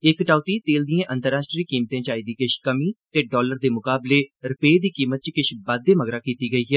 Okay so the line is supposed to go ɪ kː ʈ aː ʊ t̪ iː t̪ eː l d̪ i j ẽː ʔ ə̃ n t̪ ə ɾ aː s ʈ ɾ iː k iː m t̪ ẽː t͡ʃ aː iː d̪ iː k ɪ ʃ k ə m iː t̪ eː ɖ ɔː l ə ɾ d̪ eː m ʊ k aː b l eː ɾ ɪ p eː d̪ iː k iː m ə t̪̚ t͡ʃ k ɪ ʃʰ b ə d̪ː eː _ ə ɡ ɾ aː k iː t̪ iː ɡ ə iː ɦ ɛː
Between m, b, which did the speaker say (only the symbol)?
m